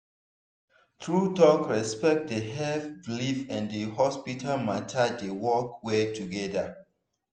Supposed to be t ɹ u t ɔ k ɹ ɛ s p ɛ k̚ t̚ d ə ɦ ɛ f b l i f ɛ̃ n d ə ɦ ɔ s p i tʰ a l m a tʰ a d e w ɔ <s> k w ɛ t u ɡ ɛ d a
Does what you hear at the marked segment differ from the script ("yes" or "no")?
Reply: yes